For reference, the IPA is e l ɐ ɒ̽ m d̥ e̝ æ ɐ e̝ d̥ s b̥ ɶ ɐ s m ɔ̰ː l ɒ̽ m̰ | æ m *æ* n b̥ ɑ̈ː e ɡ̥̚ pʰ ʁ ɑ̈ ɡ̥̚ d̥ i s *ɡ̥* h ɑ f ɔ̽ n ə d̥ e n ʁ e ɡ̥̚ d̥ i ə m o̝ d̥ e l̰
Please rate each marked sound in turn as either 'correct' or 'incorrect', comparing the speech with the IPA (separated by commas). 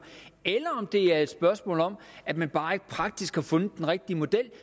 correct, correct